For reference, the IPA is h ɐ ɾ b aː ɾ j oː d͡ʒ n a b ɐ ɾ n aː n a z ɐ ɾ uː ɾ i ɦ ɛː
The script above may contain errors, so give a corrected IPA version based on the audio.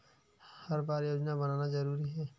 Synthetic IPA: h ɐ ɾ b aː ɾ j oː d͡ʒ n a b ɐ n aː n a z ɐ ɾ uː ɾ i ɦ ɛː